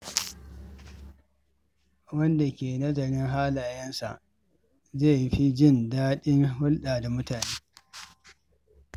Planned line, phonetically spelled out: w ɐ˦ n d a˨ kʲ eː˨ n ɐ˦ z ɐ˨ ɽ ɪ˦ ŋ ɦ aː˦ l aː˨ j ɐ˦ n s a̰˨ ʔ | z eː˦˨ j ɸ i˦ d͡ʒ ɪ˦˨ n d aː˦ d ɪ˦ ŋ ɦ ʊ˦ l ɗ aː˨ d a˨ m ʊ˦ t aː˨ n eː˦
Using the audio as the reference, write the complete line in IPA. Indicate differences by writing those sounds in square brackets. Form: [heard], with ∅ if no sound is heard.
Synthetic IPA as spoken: w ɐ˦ n d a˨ kʲ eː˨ n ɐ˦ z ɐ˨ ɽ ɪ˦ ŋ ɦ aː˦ l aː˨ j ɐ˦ n s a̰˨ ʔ | z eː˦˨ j ɸ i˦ d͡ʒ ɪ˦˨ n d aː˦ [ɗ] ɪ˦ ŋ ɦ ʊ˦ l ɗ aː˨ d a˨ m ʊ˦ t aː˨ n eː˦